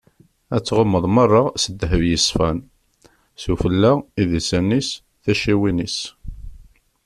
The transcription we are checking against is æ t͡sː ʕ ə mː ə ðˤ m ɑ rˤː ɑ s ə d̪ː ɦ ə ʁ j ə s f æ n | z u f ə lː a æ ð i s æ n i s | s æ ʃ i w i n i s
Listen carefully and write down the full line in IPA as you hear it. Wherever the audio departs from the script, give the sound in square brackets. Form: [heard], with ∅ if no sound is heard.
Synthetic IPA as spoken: æ t͡sː [ʁ] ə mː ə ðˤ m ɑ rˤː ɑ s ə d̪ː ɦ ə [v] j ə s f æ n | [s] u f ə lː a [i] ð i s æ n i s | [θ] æ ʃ i w i n i s